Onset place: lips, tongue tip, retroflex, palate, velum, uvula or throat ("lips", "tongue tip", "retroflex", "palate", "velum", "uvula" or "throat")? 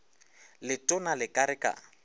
tongue tip